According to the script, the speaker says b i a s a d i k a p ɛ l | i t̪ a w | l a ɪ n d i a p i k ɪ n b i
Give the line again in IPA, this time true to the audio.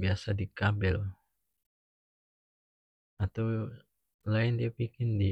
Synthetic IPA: b i a s a d i k a b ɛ l | a t̪ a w | l a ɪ n d i a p i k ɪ n d i